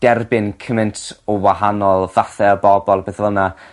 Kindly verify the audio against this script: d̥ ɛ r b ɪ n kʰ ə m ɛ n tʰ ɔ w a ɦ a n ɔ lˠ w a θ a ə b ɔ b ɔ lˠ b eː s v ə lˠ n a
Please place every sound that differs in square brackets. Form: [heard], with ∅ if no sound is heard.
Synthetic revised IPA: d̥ ɛ r b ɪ n kʰ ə m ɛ n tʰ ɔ w a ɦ a n ɔ lˠ [v] a θ [ɛ] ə b ɔ b ɔ lˠ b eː [θ] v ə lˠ n a